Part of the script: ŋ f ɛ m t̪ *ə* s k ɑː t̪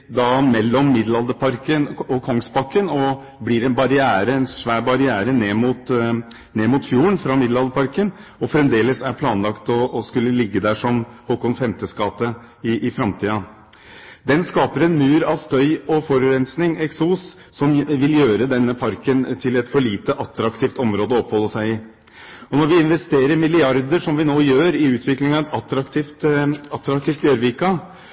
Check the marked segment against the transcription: correct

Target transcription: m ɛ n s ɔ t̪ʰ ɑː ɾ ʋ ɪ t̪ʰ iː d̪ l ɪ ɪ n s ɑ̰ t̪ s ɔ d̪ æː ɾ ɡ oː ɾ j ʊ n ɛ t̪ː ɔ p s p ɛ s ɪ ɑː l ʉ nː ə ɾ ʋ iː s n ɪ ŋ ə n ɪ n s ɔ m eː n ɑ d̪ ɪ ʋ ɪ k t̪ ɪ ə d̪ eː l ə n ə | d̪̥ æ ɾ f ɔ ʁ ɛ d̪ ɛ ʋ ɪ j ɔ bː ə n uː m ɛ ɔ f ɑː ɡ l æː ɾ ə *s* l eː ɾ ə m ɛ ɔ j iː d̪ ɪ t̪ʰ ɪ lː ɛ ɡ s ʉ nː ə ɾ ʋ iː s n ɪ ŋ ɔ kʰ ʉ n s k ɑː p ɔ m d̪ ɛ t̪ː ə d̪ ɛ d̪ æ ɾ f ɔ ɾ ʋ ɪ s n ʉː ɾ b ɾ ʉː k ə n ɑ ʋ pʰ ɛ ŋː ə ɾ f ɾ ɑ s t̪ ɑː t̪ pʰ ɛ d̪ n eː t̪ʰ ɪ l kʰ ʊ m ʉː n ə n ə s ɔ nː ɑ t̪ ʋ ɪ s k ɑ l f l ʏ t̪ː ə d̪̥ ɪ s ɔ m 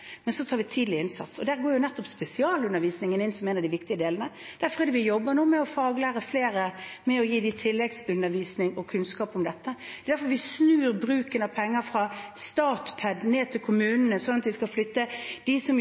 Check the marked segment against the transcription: incorrect: f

